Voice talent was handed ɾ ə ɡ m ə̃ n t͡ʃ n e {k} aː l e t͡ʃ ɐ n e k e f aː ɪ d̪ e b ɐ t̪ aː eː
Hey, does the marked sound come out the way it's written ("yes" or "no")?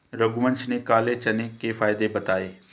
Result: yes